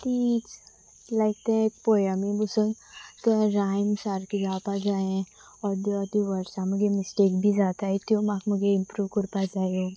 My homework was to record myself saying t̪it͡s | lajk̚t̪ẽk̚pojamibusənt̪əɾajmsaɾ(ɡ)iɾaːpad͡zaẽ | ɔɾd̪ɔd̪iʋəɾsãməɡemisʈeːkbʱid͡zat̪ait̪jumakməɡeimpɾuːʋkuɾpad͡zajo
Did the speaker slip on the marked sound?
yes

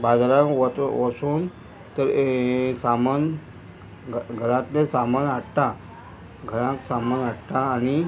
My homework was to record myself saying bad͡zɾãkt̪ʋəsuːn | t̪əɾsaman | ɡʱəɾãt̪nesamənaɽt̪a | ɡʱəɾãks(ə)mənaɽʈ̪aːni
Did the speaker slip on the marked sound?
yes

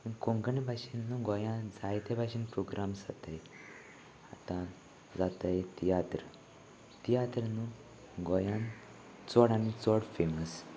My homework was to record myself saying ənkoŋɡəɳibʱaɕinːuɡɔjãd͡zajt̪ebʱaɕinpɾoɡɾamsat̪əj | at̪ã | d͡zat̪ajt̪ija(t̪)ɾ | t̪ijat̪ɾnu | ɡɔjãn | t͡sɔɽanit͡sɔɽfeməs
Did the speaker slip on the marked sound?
no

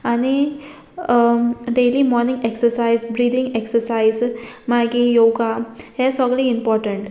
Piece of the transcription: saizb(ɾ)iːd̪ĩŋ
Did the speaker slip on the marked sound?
no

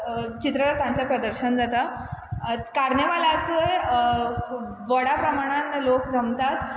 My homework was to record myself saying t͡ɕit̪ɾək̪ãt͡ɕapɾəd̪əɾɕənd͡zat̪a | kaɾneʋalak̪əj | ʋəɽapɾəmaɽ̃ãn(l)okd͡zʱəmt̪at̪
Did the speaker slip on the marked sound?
no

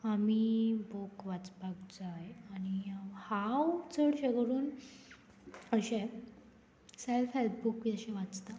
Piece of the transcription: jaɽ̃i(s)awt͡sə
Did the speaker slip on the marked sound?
yes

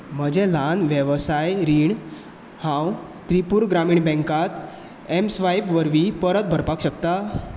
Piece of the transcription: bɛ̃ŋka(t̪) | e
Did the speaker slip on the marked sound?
no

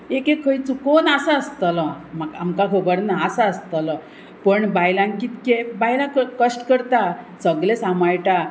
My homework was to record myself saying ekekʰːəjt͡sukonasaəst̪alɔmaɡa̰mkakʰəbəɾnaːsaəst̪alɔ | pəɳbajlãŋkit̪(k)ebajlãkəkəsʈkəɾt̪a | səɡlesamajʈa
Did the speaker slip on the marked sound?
no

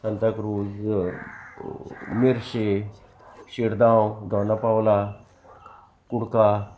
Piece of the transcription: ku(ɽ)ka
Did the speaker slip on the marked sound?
no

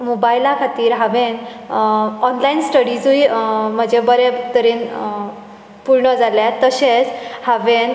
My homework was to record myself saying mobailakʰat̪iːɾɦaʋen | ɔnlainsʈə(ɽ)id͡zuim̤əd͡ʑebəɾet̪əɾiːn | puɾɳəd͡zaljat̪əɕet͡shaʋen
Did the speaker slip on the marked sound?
no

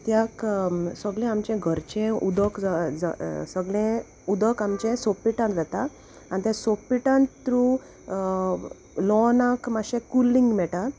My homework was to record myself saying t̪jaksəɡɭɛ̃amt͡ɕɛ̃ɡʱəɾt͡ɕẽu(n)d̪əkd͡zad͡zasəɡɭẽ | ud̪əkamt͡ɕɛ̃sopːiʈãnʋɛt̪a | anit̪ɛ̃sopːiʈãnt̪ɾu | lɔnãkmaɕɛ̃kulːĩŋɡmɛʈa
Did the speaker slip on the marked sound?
yes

